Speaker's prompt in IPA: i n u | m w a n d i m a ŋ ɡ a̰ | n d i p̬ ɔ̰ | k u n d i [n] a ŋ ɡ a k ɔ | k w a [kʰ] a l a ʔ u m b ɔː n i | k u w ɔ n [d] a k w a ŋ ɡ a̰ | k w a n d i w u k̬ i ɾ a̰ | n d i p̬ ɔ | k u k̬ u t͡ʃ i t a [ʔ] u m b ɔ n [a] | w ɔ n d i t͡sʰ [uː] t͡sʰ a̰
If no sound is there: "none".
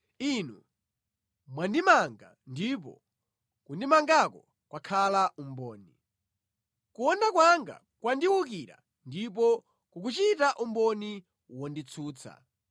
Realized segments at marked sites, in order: m, kʰ, d, ʔ, i, uː

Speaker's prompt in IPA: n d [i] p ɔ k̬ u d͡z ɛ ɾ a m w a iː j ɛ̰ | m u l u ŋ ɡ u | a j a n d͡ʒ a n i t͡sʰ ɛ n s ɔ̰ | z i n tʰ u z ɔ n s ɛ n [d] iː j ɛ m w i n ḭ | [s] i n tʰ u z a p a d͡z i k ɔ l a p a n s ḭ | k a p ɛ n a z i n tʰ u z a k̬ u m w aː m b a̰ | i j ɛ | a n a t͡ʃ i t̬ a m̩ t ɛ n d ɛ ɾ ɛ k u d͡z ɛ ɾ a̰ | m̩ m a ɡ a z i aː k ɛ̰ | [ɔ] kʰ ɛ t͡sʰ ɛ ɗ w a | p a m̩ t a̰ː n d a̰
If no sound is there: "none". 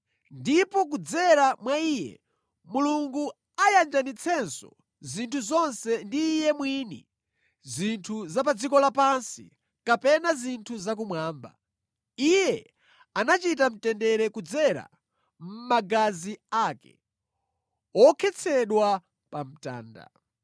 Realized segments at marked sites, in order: i, d, z, ɔ

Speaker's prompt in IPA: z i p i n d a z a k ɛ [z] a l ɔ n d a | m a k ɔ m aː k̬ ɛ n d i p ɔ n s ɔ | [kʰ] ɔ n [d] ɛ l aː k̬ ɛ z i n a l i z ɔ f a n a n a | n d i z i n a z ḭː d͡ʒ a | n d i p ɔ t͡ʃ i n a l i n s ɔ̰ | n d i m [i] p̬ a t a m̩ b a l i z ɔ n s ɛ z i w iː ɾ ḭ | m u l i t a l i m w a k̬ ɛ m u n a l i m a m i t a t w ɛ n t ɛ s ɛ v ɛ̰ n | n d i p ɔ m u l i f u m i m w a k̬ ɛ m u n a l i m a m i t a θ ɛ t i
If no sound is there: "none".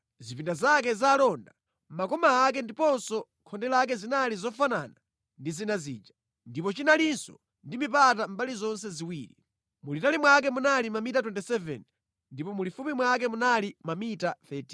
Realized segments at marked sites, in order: z, kʰ, d, i

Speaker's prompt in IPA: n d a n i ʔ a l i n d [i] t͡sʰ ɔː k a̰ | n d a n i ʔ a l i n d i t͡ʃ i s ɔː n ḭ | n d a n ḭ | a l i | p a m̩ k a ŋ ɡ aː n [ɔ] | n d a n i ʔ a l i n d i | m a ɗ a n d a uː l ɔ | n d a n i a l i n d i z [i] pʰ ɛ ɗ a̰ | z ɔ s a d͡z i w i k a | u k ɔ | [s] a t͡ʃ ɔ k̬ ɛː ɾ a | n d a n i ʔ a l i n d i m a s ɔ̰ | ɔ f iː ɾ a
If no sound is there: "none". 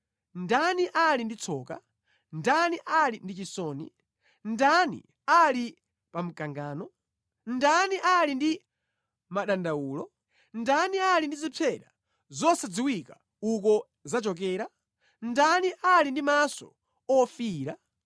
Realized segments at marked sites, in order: i, ɔ, i, z

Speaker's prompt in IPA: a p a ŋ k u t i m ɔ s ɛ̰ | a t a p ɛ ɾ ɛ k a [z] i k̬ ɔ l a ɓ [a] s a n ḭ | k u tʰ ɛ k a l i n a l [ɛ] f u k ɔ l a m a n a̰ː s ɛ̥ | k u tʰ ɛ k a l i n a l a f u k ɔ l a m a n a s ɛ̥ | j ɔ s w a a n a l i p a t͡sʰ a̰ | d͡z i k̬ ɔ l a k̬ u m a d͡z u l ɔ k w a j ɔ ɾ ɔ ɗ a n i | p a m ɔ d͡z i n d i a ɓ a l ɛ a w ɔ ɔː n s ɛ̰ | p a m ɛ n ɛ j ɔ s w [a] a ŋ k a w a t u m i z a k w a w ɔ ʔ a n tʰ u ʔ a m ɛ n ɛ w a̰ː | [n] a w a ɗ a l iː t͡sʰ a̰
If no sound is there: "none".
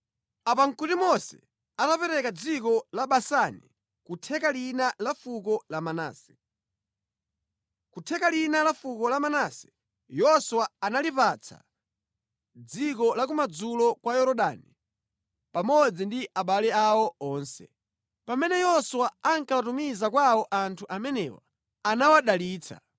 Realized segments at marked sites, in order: d͡z, a, a, a, n

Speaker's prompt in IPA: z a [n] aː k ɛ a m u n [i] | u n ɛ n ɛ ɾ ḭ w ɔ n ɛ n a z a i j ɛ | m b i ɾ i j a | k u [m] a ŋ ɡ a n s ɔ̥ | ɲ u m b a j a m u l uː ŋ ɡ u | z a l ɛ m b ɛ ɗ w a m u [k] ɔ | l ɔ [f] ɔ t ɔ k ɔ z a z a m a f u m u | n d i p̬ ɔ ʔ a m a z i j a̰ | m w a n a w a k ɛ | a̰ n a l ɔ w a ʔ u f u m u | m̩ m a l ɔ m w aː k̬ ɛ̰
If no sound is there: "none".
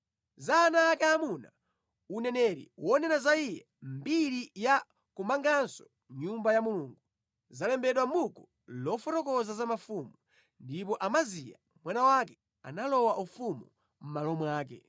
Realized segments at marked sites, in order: n, a, m, k, f

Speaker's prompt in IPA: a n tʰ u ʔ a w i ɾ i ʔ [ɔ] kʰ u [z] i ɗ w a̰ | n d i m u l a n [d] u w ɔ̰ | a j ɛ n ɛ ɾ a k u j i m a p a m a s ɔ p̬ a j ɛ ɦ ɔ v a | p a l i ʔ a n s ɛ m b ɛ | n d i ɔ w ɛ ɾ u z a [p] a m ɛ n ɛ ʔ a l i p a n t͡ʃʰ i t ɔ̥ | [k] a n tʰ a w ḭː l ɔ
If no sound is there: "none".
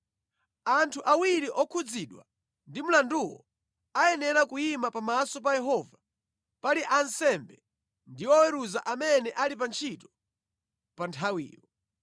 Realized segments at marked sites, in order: ɔ, d͡z, d, ʔ, p

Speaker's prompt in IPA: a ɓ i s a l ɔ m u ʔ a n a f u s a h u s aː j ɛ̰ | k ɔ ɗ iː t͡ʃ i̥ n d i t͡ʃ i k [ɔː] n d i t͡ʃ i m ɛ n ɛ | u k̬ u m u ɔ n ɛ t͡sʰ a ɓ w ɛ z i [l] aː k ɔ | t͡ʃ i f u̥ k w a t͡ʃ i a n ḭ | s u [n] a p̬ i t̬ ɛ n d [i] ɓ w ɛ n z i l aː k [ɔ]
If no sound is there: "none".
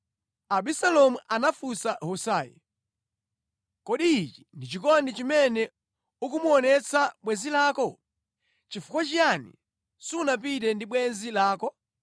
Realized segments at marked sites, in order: ɔ, l, n, i, ɔ

